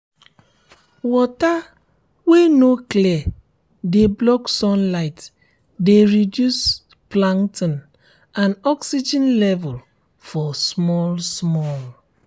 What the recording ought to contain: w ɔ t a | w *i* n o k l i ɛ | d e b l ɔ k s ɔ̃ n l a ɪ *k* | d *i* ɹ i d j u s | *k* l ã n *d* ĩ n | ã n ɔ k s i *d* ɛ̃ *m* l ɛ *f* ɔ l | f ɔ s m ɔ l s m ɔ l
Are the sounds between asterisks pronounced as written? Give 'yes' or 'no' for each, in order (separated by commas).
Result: no, no, no, no, no, no, no, no